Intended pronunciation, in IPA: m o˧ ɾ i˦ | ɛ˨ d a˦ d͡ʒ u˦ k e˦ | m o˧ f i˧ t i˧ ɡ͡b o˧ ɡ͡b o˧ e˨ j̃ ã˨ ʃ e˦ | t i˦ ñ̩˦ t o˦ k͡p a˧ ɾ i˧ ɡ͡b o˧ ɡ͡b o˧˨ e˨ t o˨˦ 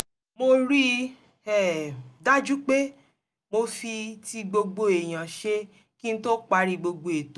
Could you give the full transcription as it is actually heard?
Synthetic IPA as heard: m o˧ ɾ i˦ | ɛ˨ d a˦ d͡ʒ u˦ k͡p e˦ | m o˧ f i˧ t i˧ ɡ͡b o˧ ɡ͡b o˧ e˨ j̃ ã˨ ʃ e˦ | k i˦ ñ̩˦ t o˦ k͡p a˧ ɾ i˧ ɡ͡b o˧ ɡ͡b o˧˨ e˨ t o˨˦